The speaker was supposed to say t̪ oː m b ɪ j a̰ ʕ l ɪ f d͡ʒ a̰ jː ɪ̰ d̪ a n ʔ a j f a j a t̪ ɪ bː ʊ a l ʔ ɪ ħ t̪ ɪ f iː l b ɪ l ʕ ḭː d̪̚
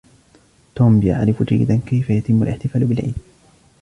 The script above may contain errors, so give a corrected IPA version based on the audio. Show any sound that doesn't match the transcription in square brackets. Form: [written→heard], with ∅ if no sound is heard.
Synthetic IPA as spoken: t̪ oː m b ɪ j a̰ ʕ [l→ɾ] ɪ f d͡ʒ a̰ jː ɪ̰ d̪ a n [ʔ→k] a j f a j a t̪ ɪ [bː→mː] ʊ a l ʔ ɪ ħ t̪ ɪ f [iː→aː] l b ɪ l ʕ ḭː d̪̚

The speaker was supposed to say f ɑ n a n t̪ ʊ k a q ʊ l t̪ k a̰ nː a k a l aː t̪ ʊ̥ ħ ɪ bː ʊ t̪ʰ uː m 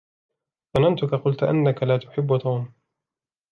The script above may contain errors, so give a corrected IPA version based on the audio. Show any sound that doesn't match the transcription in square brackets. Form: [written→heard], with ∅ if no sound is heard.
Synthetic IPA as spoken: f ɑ n a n t̪ ʊ k a q ʊ l t̪ [k→ʔ] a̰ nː a k a l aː t̪ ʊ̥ ħ ɪ bː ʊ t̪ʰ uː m

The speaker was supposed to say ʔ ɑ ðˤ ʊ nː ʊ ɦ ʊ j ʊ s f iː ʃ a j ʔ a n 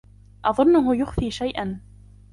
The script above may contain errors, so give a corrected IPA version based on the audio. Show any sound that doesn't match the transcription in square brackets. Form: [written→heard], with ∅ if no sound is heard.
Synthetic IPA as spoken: ʔ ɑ ðˤ ʊ nː ʊ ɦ ʊ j ʊ [s→x] f iː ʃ a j ʔ a n

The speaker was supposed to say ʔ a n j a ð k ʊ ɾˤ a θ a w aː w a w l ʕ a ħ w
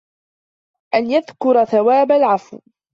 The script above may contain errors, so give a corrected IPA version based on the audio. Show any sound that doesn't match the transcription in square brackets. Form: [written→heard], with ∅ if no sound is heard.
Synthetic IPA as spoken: ʔ a n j a ð k ʊ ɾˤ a θ a w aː [w→b] a [w→∅] l ʕ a [ħ→f] w

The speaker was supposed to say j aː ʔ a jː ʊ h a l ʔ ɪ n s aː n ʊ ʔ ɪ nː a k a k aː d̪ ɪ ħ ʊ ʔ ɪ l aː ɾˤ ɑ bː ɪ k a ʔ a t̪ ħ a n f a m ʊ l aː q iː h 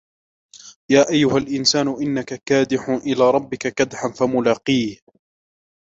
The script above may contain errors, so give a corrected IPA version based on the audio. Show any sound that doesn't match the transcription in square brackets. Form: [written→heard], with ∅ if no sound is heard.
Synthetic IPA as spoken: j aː ʔ a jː ʊ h a l ʔ ɪ n s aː n ʊ ʔ ɪ nː a k a k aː d̪ ɪ ħ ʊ ʔ ɪ l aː ɾˤ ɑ bː ɪ k a [ʔ→k] a [t̪→d̪] ħ a n f a m ʊ l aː q iː h

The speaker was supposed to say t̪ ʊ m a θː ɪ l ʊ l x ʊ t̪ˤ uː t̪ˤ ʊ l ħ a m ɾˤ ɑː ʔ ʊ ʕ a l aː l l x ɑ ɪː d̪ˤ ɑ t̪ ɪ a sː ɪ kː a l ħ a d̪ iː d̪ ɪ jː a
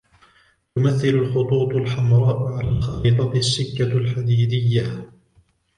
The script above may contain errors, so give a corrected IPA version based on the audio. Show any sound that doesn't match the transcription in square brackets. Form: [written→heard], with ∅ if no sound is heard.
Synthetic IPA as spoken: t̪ ʊ m a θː ɪ l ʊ l x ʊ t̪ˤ uː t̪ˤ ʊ l ħ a m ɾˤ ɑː ʔ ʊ ʕ a l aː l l x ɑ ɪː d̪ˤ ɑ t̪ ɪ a sː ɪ kː a l ħ a d̪ iː d̪ ɪ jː a

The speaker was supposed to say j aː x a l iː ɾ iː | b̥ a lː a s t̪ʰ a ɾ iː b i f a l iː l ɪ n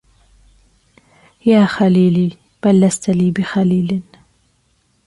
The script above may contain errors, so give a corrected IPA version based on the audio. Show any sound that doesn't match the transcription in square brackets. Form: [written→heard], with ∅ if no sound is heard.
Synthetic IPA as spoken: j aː x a l iː [ɾ→l] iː | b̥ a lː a s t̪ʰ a [ɾ→l] iː b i [f→x] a l iː l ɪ n

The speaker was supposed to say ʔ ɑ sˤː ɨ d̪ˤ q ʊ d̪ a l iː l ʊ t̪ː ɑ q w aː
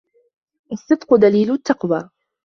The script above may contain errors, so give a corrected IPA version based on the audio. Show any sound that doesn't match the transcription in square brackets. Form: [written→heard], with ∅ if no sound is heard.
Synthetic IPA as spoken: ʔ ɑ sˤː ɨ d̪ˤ q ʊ d̪ a l iː l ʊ t̪ː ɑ q w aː

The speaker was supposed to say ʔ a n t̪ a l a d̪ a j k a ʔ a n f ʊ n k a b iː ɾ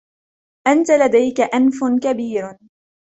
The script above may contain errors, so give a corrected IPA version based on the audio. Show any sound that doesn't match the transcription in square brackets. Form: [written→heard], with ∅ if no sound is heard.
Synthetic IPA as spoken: ʔ a n t̪ a l a d̪ a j k a ʔ a n f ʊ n k a b iː ɾ

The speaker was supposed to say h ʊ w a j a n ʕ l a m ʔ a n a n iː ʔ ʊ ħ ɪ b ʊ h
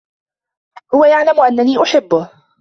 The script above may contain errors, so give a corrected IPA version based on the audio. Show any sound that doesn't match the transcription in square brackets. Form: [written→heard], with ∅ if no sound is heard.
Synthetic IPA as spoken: h ʊ w a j a [n→∅] ʕ l a m ʔ a [n→nː] a n iː ʔ ʊ ħ ɪ [b→bː] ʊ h

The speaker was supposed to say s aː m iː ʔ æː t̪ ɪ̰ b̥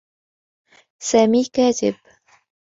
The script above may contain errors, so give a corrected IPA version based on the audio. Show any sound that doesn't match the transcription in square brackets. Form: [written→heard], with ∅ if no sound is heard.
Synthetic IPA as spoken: s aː m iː [ʔ→k] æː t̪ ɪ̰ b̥

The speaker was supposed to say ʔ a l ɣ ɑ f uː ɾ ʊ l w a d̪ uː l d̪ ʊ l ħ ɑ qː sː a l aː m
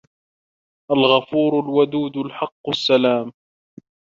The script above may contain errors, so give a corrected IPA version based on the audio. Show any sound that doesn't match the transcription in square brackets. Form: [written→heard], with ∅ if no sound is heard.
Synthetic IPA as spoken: ʔ a l ɣ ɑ f uː ɾ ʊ l w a d̪ uː [l→∅] d̪ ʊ l ħ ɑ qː sː a l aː m

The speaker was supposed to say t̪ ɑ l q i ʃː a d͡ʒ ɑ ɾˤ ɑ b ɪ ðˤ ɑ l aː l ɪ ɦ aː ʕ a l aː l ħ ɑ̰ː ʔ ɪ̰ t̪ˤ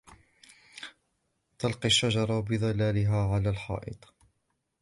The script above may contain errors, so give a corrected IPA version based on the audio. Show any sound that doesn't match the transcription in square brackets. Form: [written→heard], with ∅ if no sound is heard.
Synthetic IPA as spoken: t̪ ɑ l q i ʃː a d͡ʒ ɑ ɾˤ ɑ b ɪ ðˤ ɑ l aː l ɪ ɦ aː ʕ a l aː l ħ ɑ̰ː ʔ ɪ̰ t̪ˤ

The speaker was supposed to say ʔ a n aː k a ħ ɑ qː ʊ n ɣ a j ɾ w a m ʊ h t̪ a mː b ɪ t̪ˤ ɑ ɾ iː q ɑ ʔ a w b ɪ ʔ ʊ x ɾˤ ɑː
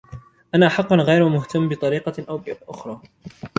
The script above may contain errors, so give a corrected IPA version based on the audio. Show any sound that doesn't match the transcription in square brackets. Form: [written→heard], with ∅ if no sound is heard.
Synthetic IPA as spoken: ʔ a n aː [k→ʔ] a ħ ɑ qː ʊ n ɣ a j ɾ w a m ʊ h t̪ a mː b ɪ t̪ˤ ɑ ɾ iː q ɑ ʔ a w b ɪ ʔ ʊ x ɾˤ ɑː

